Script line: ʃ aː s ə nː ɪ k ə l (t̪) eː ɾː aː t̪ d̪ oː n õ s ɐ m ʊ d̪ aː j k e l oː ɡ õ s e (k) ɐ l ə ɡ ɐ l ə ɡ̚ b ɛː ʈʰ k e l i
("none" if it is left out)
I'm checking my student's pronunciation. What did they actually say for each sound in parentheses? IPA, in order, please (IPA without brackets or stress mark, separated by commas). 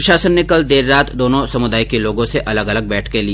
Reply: d̪, ʔ